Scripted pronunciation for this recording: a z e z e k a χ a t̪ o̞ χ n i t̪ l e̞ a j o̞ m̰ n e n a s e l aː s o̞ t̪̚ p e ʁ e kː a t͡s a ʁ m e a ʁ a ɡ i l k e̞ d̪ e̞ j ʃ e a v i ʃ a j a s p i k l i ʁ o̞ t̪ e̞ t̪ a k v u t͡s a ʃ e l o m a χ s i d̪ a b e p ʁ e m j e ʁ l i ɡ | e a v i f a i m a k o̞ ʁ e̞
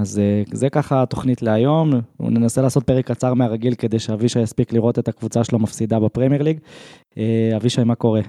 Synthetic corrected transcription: a z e z e k a χ a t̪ o̞ χ n i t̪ l e̞ a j o̞ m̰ n e n a s e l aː s o̞ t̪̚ p e ʁ e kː a t͡s a ʁ m e a ʁ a ɡ i l k e̞ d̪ e̞ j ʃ e a v i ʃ a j a s p i k l i ʁ o̞ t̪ e̞ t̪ a k v u t͡s a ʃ e l o m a f s i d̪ a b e p ʁ e m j e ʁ l i ɡ | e a v i ʃ a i m a k o̞ ʁ e̞